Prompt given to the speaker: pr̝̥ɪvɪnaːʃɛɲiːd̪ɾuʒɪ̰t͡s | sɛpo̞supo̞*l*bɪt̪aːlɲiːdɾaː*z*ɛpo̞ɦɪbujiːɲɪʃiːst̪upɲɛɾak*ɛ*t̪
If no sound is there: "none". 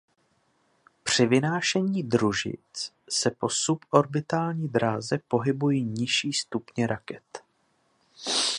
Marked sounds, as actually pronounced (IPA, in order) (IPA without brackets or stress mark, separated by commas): ɾ, z, ɛ